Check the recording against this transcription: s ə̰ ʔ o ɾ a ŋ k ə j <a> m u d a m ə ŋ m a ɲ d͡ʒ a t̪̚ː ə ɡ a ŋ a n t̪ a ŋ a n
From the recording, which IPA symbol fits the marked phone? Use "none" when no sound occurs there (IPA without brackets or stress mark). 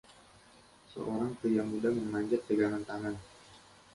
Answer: a